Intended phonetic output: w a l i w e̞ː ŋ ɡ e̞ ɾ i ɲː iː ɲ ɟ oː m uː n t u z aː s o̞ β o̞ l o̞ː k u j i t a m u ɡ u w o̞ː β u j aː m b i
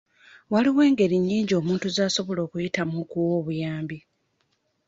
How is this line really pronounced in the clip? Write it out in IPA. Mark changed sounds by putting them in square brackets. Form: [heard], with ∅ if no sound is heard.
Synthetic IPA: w a l i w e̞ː ŋ ɡ e̞ ɾ i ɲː iː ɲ ɟ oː m uː n t u z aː s o̞ β o̞ l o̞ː k u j i t a m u [k] u w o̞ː β u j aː m b i